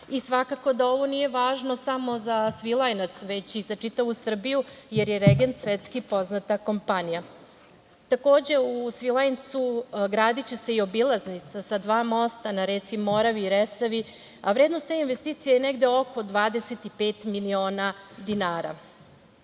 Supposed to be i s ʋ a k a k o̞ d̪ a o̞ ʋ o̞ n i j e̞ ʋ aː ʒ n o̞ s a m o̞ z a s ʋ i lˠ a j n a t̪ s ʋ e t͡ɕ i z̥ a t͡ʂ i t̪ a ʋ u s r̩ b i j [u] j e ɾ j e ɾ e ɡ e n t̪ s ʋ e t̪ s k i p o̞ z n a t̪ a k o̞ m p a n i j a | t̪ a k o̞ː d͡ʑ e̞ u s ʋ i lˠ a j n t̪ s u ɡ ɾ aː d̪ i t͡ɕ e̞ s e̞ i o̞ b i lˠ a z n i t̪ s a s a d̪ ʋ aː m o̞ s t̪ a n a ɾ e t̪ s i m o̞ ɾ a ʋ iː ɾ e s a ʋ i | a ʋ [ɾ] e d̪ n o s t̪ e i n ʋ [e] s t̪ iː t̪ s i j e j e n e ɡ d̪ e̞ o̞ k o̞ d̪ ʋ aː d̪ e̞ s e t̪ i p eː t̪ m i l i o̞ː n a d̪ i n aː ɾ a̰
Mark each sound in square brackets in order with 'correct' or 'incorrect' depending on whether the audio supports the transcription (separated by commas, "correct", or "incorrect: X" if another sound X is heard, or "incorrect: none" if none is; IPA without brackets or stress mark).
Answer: correct, correct, correct